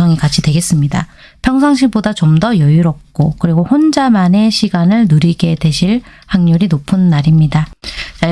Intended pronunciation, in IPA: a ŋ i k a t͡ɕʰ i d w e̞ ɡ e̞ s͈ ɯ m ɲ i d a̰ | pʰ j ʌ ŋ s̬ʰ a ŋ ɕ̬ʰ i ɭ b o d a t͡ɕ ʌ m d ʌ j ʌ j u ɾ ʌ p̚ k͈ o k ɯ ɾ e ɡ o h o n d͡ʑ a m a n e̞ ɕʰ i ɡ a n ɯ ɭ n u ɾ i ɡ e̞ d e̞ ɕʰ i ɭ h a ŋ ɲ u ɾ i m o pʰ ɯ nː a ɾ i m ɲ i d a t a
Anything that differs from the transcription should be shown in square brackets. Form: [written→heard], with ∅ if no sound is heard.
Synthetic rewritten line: [a→ʌ] ŋ i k a t͡ɕʰ i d w e̞ ɡ e̞ s͈ ɯ m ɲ i d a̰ | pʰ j ʌ ŋ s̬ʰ a ŋ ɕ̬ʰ i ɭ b o d a t͡ɕ ʌ m d ʌ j ʌ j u ɾ ʌ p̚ k͈ o k ɯ ɾ [e→i] ɡ o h o n d͡ʑ a m a n e̞ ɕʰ i ɡ a n ɯ ɭ n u ɾ i ɡ e̞ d e̞ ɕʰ i ɭ h a ŋ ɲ u ɾ i [m→n] o pʰ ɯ nː a ɾ i m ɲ i d a [t→t͡ɕ] a